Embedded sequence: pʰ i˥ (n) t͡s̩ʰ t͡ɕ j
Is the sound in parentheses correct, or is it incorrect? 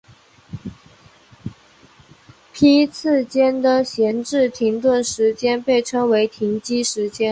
incorrect: none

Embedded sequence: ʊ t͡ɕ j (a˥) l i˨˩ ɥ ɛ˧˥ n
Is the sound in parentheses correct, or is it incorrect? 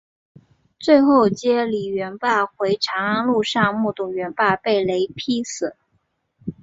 incorrect: ɛ˥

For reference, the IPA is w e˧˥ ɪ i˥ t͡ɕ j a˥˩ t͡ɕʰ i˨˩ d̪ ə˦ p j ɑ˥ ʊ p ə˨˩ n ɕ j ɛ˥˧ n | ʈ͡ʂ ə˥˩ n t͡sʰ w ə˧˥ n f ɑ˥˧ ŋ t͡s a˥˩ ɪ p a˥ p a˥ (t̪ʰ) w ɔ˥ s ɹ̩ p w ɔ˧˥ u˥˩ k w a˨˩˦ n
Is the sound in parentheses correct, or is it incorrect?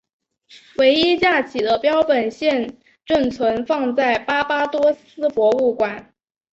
incorrect: t̪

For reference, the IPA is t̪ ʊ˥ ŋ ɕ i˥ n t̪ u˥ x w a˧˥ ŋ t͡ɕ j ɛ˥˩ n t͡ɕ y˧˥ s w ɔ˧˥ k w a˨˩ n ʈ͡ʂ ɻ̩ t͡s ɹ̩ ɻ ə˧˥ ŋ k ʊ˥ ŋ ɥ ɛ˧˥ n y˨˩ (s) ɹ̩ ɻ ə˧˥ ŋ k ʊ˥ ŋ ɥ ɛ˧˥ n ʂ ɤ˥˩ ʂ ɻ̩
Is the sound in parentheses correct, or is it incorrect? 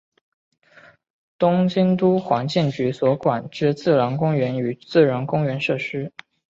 incorrect: t͡s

